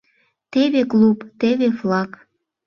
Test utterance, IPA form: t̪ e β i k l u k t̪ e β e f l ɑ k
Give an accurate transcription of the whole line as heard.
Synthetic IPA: t̪ e β e k l u p t̪ e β e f l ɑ k